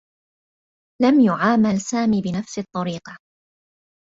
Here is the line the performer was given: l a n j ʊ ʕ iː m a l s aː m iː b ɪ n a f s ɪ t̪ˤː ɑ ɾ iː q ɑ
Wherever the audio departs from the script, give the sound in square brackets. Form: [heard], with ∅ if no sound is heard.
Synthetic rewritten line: l a [m] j ʊ ʕ [aː] m a l s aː m iː b ɪ n a f s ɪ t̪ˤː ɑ ɾ iː q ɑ